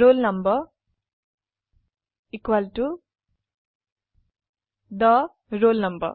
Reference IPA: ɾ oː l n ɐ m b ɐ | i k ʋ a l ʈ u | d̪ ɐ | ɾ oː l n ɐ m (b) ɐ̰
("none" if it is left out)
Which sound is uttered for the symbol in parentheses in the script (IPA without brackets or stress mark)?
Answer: b